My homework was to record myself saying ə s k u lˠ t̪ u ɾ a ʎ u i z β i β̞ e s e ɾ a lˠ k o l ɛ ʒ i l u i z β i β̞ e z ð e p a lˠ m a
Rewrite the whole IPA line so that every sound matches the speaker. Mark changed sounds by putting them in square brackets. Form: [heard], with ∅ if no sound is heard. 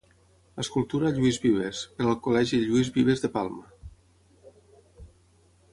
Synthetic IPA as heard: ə s k u lˠ t̪ u ɾ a ʎ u i z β i β̞ e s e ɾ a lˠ k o l ɛ ʒ i [ʎ] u i z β i β̞ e z ð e p a lˠ m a